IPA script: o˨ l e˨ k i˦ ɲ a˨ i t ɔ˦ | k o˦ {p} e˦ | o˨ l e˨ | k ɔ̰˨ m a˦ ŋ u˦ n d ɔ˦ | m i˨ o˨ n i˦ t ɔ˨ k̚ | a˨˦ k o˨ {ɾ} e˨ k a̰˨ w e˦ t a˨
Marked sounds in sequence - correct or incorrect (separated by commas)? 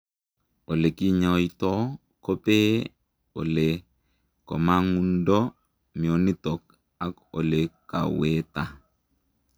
correct, incorrect